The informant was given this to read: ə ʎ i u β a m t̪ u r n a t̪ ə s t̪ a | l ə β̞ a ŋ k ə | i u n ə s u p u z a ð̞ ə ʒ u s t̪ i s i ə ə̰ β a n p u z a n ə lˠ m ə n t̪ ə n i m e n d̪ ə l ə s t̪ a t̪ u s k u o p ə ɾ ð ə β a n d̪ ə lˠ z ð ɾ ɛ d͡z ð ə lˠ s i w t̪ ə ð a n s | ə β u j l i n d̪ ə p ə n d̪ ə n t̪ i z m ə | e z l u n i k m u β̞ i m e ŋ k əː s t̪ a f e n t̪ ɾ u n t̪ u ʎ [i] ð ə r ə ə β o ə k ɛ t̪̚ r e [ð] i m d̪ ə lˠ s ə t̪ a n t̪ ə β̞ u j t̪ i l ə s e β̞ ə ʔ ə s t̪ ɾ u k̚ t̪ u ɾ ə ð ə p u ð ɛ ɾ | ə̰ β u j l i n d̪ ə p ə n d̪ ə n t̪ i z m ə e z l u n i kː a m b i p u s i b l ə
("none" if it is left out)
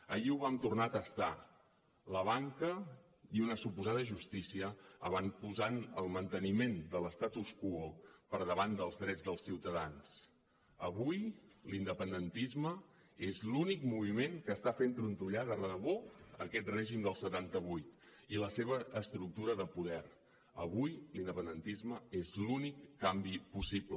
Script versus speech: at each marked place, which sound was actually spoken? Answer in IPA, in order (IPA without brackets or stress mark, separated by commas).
a, ʒ